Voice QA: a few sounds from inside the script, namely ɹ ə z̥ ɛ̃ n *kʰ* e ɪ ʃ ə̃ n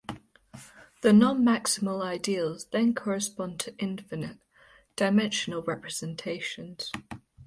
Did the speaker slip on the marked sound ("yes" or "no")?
yes